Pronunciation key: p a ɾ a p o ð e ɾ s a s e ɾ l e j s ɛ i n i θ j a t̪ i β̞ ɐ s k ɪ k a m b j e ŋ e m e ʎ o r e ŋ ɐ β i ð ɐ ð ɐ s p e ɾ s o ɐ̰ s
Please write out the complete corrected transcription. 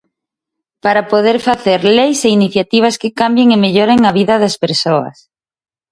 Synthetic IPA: p a ɾ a p o ð e ɾ f a θ e ɾ l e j s e i n i θ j a t̪ i β̞ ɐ s k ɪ k a m b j e ŋ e m e ʎ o ɾ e ŋ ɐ β i ð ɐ ð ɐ s p e ɾ s o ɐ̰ s